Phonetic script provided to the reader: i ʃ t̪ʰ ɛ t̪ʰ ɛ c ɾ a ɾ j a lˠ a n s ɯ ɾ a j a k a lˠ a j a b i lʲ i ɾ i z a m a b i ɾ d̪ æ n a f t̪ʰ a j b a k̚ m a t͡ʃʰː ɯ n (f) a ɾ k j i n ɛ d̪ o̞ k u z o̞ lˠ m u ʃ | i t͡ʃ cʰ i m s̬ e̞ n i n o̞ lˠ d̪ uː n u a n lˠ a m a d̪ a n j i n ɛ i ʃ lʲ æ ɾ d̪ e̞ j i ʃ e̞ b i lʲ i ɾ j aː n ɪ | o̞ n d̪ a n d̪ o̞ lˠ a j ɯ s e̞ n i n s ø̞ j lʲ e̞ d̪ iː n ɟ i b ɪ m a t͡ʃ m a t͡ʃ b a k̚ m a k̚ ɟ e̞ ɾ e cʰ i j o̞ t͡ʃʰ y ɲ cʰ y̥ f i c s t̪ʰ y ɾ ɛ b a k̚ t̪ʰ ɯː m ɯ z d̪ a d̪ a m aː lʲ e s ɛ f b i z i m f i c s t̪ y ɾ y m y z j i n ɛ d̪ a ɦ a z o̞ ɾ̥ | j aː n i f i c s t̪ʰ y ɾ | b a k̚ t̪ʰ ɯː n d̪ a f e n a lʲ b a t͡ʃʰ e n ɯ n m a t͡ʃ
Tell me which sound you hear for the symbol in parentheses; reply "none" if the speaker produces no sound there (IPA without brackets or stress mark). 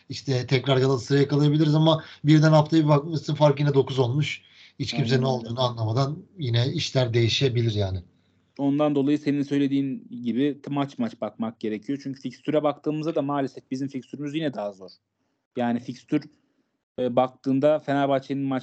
f